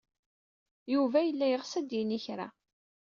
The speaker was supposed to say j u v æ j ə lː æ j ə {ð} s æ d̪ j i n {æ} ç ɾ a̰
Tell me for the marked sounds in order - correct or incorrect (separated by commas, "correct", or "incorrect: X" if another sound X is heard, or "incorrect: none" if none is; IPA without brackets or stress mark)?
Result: incorrect: ʁ, incorrect: i